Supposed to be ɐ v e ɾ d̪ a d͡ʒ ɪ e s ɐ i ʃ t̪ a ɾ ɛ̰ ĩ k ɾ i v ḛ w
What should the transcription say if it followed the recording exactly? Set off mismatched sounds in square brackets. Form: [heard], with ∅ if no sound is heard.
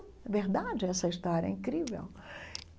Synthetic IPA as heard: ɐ v e ɾ d̪ a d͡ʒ ɪ [ɛ] s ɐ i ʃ t̪ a ɾ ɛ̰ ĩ k ɾ i v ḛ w